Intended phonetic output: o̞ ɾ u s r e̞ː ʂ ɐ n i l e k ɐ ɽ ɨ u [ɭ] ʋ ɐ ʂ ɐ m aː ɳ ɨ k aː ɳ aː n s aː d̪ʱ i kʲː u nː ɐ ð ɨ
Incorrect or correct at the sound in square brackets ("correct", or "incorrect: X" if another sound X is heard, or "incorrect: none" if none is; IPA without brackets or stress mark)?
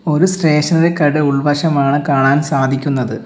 correct